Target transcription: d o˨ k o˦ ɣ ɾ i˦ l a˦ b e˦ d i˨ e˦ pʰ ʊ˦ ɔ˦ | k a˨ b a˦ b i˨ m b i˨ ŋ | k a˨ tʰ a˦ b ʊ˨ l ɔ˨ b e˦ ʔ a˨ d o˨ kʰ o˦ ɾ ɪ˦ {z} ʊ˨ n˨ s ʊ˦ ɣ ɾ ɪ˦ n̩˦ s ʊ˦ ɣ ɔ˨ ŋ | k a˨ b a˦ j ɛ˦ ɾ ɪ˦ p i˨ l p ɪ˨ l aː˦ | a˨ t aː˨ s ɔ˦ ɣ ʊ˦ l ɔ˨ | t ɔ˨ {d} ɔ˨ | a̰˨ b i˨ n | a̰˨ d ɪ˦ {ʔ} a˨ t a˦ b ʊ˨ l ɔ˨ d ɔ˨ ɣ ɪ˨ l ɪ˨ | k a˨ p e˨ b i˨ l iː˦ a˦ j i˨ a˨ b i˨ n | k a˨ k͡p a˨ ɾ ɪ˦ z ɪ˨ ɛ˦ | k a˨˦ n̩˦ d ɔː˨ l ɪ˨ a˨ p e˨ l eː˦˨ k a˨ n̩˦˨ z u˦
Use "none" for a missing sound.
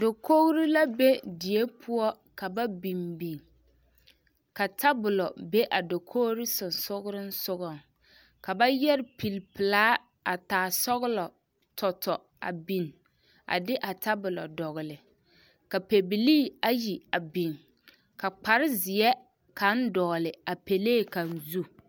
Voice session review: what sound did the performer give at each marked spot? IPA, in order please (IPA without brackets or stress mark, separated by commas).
s, t, ʔ